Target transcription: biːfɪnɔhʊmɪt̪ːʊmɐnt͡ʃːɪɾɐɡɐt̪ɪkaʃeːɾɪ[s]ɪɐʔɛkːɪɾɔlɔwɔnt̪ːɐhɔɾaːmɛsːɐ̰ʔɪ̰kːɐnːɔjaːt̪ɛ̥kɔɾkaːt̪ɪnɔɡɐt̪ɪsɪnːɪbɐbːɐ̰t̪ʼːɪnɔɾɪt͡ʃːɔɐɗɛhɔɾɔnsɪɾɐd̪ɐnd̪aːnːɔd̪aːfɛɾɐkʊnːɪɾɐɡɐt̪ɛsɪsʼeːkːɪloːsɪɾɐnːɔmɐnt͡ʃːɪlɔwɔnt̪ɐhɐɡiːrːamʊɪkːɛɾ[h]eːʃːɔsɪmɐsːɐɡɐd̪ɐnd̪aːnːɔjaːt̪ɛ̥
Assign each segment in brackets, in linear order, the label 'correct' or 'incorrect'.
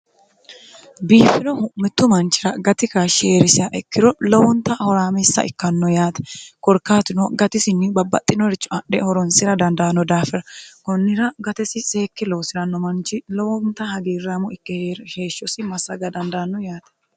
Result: correct, correct

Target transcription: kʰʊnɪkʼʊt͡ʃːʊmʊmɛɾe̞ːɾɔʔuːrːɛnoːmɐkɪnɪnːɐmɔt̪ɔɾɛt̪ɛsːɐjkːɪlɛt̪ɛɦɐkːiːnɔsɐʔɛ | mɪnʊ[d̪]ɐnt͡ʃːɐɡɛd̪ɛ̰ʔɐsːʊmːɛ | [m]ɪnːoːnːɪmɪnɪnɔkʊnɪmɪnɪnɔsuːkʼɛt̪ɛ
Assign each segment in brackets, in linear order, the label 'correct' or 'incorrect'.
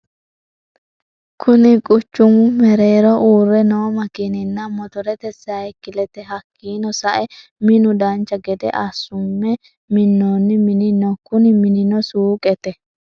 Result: correct, correct

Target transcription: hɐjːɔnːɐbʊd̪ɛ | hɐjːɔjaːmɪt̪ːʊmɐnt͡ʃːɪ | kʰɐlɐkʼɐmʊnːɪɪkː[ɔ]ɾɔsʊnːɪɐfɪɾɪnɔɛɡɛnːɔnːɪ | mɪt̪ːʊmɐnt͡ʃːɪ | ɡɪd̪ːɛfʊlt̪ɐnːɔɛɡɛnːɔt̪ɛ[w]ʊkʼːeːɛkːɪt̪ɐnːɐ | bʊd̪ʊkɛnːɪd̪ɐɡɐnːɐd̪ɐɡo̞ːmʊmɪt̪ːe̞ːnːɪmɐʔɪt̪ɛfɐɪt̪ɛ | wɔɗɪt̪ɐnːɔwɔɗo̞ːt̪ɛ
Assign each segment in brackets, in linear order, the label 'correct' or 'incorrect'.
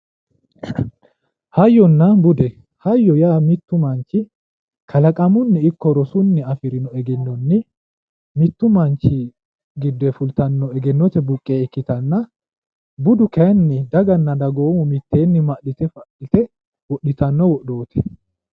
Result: correct, incorrect: b

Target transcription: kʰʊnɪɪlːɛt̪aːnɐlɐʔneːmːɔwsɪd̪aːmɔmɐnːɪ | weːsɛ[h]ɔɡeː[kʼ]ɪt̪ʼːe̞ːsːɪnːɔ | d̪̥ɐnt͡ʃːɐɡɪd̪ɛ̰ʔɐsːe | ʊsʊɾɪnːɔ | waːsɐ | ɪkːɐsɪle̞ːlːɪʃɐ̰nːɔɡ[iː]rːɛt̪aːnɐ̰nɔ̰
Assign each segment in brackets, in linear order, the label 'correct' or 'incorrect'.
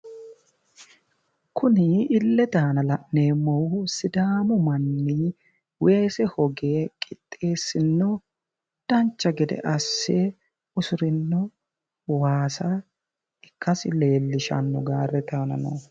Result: correct, correct, incorrect: aː

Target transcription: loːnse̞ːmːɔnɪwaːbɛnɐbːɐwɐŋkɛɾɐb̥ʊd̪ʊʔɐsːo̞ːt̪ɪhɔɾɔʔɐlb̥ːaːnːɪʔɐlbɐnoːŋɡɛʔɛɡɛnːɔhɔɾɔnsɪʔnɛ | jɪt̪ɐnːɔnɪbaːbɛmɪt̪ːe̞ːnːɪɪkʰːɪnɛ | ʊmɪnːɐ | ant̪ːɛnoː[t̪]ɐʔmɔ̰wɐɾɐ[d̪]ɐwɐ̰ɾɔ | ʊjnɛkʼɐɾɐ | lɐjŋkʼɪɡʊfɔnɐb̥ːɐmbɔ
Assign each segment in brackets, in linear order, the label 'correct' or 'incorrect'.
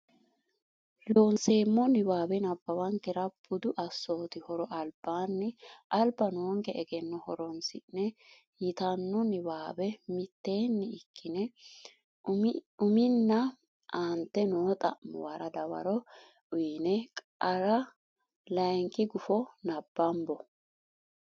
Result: incorrect: t̪ʼ, correct

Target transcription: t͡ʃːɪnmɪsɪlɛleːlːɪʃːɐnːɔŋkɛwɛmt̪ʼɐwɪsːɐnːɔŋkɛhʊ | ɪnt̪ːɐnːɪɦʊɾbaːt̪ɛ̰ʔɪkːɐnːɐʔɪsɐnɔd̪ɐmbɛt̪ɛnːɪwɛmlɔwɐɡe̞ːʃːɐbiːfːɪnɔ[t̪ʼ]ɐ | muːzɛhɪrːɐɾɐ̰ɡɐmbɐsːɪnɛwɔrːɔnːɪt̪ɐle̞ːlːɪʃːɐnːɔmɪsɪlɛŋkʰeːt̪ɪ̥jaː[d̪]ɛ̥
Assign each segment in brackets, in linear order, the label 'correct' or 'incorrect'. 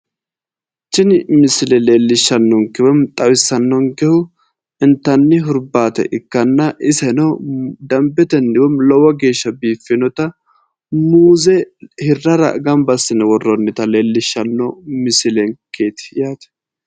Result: incorrect: t̪, incorrect: t̪

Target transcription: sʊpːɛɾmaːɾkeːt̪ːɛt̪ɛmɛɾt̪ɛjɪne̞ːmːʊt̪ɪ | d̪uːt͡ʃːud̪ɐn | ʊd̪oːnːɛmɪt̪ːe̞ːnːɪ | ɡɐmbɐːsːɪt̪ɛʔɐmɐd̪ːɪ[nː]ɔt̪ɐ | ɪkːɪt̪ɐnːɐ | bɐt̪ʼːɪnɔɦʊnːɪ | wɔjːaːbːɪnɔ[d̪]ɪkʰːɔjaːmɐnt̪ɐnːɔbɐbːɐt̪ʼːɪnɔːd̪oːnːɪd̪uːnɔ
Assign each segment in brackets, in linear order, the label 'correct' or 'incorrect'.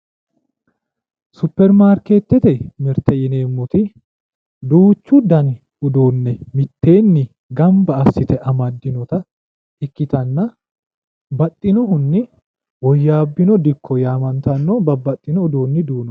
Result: incorrect: n, correct

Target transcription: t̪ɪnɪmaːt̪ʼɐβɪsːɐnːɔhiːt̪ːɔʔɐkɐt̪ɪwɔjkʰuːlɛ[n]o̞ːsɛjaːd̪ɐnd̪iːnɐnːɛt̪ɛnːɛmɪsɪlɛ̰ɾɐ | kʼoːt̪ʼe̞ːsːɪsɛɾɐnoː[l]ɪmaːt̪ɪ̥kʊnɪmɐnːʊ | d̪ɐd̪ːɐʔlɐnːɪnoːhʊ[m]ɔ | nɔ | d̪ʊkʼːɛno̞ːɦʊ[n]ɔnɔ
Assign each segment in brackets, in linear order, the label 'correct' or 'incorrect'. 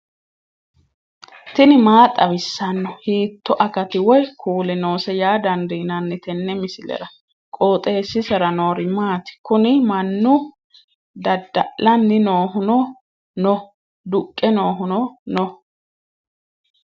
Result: correct, incorrect: ɾ, incorrect: n, correct

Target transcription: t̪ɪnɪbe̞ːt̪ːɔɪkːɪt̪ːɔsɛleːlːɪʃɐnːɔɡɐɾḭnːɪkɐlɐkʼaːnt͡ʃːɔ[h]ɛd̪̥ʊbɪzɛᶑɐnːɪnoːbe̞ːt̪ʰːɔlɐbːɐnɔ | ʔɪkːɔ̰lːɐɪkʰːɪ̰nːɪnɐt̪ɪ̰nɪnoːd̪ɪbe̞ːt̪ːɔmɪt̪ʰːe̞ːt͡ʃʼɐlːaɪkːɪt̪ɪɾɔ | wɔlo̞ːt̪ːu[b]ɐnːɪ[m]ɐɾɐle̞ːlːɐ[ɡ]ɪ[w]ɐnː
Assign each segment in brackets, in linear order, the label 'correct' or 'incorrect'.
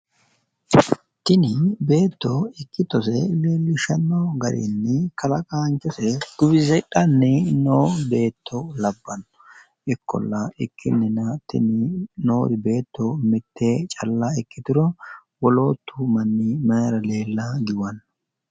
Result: incorrect: s, incorrect: m, correct, correct, correct

